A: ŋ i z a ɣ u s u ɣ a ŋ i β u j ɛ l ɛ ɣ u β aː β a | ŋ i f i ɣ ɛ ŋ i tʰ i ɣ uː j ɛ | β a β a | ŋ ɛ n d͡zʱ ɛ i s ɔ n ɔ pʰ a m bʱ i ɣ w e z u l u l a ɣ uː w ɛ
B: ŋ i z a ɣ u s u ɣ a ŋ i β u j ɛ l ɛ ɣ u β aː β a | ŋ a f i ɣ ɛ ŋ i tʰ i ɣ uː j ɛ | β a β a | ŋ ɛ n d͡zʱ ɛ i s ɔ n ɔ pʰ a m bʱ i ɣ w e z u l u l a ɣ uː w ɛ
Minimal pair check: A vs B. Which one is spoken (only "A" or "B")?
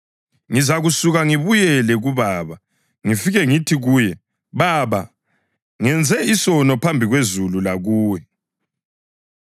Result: A